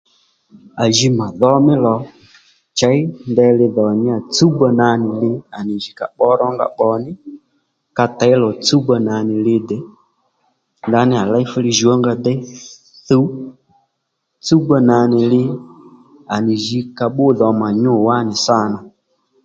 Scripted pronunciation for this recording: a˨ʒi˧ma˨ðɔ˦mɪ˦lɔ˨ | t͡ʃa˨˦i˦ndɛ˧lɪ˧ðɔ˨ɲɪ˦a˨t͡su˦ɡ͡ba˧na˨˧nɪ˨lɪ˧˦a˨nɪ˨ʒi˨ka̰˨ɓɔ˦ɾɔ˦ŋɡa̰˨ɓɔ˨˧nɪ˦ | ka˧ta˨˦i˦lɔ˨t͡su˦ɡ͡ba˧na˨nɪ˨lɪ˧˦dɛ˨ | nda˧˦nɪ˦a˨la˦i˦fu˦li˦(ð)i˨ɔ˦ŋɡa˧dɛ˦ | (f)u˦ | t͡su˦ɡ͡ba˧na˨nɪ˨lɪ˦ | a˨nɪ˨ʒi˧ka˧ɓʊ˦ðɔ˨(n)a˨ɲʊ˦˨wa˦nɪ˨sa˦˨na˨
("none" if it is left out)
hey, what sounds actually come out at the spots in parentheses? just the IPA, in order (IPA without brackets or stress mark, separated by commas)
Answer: ʒ, θ, m